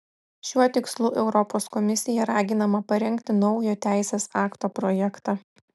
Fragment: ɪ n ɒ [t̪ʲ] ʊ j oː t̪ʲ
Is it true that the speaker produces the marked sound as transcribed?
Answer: no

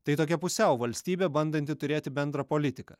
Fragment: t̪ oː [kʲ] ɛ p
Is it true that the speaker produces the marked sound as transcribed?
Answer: yes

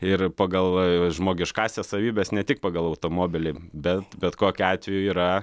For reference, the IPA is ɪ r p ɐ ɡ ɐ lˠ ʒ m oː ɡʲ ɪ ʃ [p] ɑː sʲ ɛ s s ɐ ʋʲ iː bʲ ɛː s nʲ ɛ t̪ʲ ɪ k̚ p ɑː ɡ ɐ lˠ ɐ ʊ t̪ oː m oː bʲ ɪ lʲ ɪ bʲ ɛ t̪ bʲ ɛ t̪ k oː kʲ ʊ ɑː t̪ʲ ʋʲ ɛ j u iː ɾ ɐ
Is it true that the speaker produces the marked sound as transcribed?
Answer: no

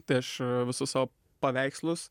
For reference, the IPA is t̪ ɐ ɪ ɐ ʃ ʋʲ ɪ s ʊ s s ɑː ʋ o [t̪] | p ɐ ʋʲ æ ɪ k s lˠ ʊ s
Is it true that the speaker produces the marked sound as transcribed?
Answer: no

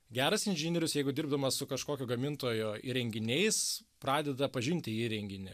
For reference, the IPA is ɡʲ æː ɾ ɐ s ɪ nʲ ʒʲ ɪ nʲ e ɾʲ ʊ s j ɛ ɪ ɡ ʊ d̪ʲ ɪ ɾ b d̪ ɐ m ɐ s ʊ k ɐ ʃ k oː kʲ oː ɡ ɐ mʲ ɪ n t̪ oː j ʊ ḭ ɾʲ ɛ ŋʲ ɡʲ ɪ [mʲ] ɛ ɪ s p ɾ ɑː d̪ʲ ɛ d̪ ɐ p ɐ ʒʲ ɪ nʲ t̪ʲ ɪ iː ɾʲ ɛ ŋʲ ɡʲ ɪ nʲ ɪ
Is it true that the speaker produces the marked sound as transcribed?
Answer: no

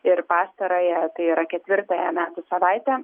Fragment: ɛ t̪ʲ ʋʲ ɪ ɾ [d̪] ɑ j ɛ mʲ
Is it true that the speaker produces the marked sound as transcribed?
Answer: no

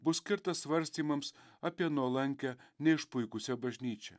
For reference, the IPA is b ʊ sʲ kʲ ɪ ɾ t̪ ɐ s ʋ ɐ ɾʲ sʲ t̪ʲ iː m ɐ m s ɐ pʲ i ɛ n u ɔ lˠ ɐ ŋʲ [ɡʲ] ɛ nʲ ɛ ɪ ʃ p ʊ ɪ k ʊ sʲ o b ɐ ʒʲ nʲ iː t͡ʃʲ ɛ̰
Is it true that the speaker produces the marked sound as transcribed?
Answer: no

